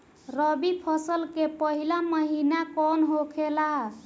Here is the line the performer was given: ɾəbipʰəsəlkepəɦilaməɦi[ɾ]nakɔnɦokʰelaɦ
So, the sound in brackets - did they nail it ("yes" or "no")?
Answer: no